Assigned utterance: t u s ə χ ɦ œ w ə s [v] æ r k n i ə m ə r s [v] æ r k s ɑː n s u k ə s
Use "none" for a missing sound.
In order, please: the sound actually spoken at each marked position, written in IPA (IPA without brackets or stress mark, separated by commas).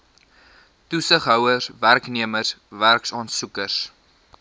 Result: v, v